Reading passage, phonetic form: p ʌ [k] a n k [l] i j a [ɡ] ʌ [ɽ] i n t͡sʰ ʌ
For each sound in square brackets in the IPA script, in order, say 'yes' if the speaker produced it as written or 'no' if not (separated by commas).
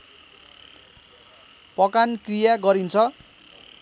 yes, no, yes, no